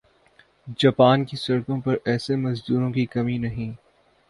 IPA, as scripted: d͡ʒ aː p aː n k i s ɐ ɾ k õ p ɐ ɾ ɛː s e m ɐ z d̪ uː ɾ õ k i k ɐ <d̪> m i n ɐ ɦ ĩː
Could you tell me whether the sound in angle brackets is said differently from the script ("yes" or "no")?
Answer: yes